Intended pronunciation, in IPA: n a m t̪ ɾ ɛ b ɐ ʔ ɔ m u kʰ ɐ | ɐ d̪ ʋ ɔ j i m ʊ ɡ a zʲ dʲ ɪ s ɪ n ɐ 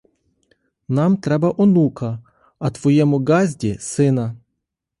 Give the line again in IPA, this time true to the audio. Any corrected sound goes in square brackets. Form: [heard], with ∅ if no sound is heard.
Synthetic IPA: n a m t̪ ɾ ɛ b ɐ ʔ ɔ [n] u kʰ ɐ | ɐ [t̪] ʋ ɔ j [ɛ] m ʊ ɡ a zʲ dʲ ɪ s ɪ n ɐ